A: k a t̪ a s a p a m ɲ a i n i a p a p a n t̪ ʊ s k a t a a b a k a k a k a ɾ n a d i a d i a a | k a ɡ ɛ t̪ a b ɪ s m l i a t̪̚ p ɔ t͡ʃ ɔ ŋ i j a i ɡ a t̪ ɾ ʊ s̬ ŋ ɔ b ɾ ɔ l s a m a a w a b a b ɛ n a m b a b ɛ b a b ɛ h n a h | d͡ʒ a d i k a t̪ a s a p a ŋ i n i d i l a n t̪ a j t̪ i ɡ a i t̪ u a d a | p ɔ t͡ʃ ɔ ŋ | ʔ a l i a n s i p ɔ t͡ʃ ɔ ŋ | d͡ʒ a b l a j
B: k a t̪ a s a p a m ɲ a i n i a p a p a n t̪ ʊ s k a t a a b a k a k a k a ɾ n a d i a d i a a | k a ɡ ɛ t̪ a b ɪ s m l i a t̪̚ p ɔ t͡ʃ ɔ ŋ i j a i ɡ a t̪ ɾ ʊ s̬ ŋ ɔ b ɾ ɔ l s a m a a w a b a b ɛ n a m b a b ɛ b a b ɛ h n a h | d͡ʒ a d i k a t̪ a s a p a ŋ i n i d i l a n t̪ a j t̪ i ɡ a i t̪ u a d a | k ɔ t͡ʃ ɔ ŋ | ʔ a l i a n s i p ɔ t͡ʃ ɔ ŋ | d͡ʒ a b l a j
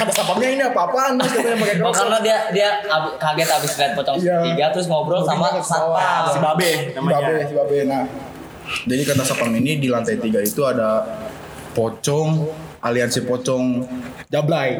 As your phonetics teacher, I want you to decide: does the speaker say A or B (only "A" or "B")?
A